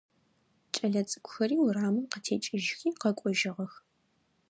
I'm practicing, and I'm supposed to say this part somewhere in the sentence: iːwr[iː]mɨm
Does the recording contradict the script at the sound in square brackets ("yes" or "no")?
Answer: yes